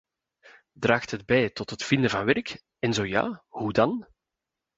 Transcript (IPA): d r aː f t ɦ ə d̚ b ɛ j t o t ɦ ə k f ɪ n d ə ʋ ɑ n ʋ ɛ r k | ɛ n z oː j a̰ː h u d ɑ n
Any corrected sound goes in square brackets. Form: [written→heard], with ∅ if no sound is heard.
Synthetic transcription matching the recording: d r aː [f→x] t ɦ ə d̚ b ɛ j t [o→ɔ] t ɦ ə [k→t] f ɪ n d ə [ʋ→v] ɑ n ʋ ɛ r k | ɛ n z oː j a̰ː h u d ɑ n